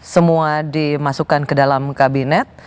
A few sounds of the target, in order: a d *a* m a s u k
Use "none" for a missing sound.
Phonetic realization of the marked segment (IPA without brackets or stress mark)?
i